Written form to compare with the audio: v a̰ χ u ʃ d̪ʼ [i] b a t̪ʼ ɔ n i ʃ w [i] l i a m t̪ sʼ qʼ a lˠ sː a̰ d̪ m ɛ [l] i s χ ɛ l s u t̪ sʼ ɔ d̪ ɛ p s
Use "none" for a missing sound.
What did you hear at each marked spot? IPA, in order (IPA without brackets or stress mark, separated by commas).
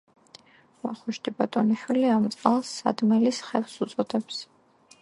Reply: i, i, l